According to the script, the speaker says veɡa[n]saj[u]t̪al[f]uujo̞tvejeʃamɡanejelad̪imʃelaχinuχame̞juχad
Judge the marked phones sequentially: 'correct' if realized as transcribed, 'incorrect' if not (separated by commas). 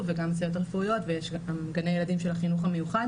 incorrect, incorrect, correct